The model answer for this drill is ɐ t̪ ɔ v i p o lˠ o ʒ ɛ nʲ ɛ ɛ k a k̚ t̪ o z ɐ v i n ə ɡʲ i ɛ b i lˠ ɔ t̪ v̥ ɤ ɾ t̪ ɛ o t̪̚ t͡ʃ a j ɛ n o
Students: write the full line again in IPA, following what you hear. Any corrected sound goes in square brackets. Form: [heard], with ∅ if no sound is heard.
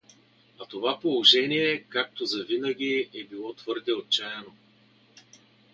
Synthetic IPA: ɐ t̪ [o] v [a] p o lˠ o ʒ ɛ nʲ [i] ɛ k a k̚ t̪ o z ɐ v i n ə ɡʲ i ɛ b i lˠ ɔ t̪ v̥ ɤ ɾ [d̪] ɛ o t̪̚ t͡ʃ a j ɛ n o